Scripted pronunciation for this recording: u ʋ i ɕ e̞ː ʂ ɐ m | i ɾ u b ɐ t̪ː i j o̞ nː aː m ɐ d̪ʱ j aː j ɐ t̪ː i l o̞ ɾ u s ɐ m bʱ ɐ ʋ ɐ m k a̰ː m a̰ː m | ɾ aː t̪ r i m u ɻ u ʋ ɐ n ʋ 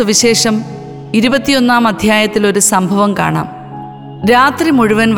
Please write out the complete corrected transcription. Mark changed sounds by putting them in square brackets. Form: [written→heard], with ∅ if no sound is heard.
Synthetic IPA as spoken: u ʋ i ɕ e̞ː ʂ ɐ m | i ɾ u b ɐ t̪ː i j o̞ nː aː m ɐ d̪ʱ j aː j ɐ t̪ː i l o̞ ɾ u s ɐ m bʱ ɐ ʋ ɐ m k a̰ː [m→ɳ] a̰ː m | ɾ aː t̪ r i m u ɻ u ʋ ɐ n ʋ